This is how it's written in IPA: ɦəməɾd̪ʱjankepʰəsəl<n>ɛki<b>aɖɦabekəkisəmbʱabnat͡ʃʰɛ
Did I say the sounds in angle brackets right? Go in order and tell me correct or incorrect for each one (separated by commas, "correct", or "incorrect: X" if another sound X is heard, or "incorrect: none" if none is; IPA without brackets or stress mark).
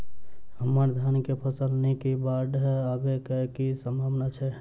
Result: correct, correct